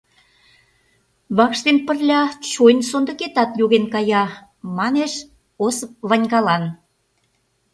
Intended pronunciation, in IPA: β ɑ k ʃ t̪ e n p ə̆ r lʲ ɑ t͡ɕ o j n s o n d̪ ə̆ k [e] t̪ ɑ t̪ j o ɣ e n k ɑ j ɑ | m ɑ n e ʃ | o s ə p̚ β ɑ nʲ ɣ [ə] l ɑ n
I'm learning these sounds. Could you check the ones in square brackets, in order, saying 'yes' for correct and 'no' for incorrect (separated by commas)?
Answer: yes, no